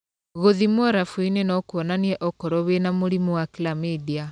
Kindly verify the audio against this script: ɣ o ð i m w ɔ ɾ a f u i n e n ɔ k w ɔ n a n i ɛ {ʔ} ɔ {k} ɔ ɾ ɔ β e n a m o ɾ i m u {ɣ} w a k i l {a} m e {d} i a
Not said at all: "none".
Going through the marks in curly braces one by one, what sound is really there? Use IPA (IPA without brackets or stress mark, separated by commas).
ʔ, k, none, a, d